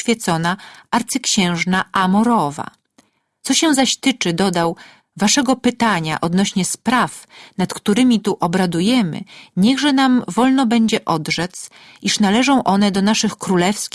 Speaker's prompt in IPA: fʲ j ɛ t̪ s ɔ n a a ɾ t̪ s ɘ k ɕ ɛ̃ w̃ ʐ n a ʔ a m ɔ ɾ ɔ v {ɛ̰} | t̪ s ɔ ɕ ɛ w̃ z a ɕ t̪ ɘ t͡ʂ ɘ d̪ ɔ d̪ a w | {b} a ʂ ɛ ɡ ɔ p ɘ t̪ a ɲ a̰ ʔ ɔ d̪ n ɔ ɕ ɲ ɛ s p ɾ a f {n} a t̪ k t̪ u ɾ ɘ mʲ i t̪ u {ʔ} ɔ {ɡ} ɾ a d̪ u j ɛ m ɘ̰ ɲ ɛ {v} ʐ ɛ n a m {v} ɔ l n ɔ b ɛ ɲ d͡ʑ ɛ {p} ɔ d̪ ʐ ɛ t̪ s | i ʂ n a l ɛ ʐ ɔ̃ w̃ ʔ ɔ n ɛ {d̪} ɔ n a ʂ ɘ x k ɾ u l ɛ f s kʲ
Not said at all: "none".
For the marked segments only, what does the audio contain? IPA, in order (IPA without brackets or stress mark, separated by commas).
a̰, v, n, ʔ, b, ɣ, v, ʔ, d̪